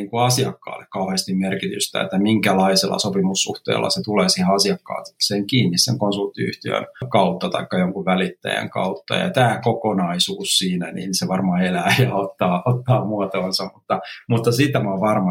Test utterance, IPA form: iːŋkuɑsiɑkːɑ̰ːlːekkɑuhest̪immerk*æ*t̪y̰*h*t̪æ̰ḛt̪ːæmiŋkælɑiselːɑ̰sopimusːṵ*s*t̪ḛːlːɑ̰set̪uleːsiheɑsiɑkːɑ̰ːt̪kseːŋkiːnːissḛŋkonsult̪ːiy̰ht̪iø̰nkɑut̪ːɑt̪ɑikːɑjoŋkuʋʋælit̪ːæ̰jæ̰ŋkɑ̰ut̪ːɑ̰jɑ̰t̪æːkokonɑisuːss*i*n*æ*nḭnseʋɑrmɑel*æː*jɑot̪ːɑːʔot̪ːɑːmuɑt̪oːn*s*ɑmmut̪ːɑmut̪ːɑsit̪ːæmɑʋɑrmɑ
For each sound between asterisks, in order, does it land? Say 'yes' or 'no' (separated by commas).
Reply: no, no, no, no, yes, yes, yes